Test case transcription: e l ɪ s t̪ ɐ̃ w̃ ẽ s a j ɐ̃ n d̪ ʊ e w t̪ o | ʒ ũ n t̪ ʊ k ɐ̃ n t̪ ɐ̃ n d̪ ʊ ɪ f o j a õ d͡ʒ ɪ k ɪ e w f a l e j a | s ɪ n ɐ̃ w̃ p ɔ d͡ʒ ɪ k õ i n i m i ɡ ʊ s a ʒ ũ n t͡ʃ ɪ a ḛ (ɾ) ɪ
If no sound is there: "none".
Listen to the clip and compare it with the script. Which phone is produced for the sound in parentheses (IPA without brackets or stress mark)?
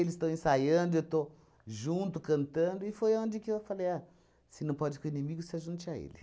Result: l